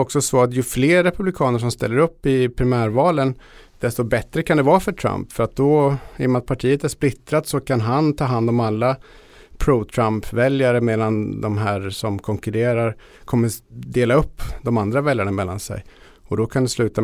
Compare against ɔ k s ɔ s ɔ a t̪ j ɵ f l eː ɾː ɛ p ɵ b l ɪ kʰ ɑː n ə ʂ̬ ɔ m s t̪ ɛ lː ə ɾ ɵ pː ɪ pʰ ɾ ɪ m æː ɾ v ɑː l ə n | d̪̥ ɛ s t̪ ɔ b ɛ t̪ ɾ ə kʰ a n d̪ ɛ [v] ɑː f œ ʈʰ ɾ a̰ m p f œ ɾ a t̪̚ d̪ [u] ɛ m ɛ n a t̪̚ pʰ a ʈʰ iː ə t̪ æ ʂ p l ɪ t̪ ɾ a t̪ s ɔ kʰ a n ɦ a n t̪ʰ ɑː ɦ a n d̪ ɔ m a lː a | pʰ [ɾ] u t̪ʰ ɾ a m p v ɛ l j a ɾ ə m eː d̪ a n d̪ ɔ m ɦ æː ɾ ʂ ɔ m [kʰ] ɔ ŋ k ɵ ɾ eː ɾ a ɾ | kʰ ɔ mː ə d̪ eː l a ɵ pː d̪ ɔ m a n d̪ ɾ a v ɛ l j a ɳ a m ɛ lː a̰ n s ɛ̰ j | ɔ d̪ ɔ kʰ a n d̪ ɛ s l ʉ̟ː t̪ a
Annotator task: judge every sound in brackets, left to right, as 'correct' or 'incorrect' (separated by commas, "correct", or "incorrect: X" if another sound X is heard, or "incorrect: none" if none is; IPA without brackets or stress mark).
correct, incorrect: ɔ, correct, correct